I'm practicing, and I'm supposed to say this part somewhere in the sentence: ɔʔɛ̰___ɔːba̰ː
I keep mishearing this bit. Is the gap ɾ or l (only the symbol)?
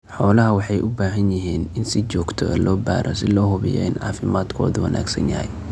l